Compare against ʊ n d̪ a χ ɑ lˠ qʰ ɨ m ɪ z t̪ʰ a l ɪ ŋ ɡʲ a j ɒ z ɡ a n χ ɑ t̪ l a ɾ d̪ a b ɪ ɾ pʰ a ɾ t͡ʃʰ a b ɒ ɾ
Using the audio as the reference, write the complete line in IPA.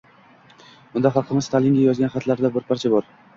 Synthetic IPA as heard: ʊ n d̪ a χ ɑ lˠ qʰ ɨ m ɪ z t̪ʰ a l ɪ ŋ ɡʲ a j ɒ z ɡ a n χ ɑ t̪ l a ɾ d̪ a b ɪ ɾ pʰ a ɾ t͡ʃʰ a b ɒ ɾ